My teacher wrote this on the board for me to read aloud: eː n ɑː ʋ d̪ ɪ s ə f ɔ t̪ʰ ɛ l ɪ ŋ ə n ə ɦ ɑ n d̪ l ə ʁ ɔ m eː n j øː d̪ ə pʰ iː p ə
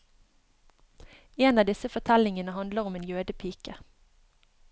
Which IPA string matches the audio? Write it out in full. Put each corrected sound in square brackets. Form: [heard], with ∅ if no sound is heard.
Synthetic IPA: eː n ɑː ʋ d̪ ɪ s ə f ɔ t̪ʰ ɛ l ɪ ŋ ə n ə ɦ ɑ n d̪ l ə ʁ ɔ m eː n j øː d̪ ə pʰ iː [k] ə